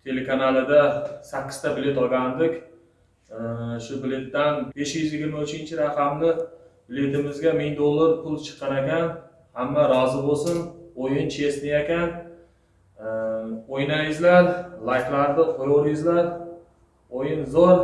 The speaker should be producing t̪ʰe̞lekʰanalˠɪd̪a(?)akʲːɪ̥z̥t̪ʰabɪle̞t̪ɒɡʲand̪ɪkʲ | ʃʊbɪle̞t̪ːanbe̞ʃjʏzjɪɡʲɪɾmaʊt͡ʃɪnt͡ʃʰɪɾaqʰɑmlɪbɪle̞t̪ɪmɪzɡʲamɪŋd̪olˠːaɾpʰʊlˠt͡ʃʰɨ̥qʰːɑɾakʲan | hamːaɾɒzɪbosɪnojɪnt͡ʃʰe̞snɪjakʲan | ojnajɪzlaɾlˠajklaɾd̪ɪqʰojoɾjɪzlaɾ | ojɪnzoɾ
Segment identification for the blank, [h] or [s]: s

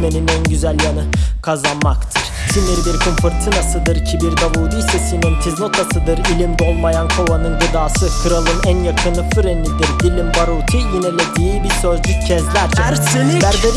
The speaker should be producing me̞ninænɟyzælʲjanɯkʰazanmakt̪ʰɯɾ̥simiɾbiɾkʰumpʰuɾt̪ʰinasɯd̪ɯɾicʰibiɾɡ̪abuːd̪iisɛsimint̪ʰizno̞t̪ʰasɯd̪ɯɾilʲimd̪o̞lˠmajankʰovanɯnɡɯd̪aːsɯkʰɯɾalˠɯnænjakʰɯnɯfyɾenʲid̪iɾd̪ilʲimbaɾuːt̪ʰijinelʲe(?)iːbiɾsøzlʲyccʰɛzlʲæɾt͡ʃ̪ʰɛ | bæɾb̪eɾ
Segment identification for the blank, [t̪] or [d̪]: d̪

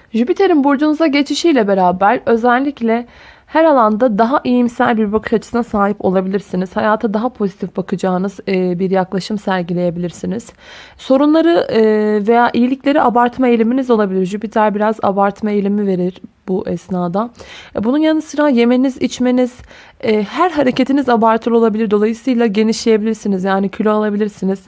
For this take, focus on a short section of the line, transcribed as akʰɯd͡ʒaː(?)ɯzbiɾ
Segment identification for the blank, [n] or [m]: n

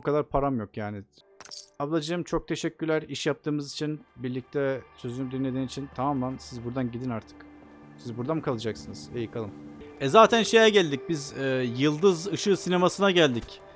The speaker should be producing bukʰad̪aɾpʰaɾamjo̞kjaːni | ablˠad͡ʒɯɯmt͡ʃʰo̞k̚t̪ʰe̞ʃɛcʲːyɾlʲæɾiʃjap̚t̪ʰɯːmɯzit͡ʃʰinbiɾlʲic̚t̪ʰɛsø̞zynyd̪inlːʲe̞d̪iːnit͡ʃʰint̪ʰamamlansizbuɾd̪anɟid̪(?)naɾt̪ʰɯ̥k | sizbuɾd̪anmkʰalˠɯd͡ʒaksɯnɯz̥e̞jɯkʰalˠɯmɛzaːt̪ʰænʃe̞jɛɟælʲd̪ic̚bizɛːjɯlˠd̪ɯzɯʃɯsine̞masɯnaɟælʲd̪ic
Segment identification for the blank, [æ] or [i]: i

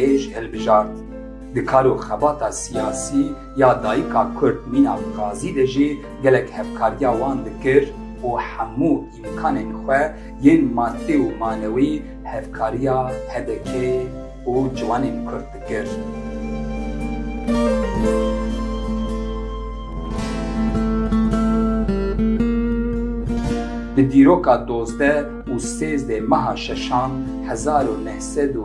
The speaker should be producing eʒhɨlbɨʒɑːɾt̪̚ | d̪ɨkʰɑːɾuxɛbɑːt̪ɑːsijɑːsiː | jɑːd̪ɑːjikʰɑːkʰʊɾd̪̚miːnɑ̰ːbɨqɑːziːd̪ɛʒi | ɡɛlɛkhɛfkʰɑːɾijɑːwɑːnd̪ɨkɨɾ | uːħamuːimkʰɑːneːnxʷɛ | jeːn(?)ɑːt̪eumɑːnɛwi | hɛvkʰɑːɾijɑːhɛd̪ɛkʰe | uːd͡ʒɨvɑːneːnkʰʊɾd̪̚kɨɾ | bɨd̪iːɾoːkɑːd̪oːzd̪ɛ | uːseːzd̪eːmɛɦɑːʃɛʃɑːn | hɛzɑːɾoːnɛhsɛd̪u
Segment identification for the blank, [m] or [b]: m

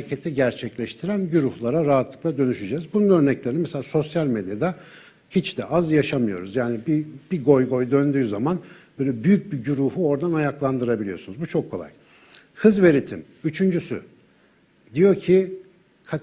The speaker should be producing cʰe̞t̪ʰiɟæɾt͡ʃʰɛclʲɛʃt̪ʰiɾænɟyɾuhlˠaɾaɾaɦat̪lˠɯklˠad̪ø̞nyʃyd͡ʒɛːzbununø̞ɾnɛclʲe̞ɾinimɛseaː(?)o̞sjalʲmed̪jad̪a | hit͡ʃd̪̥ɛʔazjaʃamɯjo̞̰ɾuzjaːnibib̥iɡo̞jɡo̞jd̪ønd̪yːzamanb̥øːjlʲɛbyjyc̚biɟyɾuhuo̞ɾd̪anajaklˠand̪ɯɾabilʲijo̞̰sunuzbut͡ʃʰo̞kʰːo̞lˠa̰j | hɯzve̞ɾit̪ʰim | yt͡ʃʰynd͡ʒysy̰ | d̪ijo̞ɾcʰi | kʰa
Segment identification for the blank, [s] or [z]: s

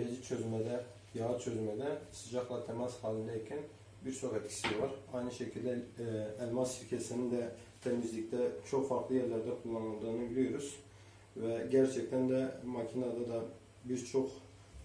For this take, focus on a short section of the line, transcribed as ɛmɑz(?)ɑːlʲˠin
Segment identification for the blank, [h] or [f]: h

